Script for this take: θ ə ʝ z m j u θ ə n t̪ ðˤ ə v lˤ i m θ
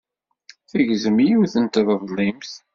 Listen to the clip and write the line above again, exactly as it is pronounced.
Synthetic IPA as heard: θ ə ʝ z m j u θ ə n t̪ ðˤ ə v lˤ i m θ